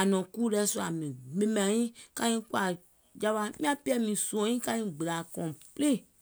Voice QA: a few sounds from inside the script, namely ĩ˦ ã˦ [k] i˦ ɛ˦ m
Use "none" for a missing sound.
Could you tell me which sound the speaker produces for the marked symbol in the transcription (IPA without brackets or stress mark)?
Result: p